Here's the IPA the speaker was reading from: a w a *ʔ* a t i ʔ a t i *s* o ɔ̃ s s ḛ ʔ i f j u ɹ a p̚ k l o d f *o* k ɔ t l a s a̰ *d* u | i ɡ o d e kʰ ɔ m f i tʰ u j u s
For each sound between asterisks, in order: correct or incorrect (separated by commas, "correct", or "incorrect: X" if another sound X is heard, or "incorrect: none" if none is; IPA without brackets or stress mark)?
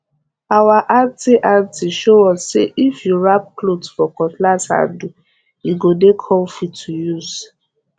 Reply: correct, incorrect: ʃ, incorrect: ɔ, correct